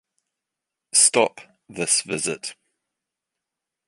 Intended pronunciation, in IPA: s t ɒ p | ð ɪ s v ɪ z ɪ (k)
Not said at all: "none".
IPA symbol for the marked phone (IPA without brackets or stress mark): t